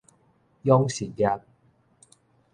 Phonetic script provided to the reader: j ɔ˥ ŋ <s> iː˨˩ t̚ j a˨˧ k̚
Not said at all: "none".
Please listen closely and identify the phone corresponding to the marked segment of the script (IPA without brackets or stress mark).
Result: s